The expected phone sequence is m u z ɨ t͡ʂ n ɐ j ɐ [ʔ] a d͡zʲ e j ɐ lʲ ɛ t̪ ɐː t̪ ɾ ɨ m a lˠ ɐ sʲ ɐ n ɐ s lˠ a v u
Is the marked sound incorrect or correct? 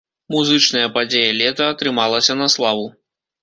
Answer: incorrect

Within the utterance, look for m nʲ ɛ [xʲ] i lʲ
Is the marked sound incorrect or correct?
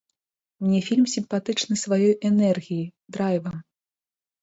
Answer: incorrect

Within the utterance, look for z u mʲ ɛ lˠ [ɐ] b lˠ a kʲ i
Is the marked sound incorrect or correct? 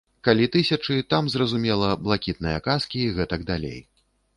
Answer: correct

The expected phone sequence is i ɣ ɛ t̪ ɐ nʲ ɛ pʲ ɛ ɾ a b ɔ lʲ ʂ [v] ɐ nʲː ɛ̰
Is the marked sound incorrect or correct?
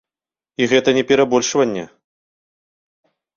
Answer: correct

